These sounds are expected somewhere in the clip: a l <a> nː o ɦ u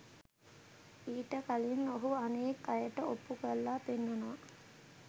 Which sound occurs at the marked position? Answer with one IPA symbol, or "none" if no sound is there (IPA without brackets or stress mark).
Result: i